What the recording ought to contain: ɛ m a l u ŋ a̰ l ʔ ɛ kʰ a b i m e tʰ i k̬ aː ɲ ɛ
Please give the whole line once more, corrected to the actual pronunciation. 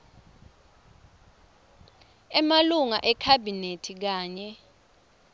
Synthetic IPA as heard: ɛ m a l u ŋ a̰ ʔ ɛ kʰ a b i n e tʰ i k̬ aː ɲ ɛ